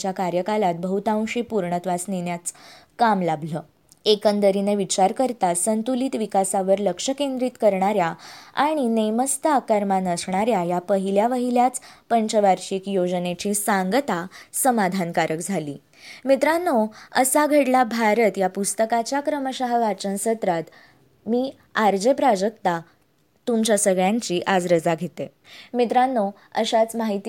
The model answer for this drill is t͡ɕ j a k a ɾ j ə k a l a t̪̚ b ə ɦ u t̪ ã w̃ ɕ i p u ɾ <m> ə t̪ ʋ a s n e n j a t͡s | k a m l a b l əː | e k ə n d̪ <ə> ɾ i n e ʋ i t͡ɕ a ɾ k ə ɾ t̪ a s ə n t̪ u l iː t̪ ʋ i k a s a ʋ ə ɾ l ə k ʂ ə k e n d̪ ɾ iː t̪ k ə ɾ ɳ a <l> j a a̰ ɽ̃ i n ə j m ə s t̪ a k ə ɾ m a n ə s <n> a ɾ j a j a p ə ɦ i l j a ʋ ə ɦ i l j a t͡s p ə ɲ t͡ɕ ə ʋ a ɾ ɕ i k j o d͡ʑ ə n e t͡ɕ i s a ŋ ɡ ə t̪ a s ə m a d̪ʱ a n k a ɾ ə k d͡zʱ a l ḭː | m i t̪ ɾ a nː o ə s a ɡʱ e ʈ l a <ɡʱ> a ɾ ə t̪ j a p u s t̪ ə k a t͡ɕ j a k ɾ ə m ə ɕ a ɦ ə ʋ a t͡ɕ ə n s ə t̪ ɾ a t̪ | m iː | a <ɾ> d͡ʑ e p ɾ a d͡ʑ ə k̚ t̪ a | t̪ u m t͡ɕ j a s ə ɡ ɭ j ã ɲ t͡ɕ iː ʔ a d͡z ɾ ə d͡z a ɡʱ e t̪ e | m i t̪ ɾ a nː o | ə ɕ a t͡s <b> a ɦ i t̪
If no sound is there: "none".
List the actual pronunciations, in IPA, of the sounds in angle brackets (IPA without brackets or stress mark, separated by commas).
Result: ɳ, ə, ɾ, ɳ, bʱ, ɾ, m